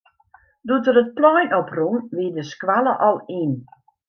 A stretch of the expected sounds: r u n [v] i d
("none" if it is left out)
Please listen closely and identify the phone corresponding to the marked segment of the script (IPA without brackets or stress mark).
ʋ